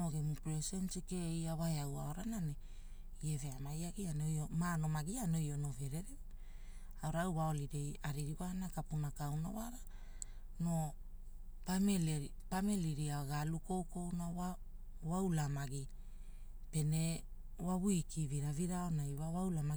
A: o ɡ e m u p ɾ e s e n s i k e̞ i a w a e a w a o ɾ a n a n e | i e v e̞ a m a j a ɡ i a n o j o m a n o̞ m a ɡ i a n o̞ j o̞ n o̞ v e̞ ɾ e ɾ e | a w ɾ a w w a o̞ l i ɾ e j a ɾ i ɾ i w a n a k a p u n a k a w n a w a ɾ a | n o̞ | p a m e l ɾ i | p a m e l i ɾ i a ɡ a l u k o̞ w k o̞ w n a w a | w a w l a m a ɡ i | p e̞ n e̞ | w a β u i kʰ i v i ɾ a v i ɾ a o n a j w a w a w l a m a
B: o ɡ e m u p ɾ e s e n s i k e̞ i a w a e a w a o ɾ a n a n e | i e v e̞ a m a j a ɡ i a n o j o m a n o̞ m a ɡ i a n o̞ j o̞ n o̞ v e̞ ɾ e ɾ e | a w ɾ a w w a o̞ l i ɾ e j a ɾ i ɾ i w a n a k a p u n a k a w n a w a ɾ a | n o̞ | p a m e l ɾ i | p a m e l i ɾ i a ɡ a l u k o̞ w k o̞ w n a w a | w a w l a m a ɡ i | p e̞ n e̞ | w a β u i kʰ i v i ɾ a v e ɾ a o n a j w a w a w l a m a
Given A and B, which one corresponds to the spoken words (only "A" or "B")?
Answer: A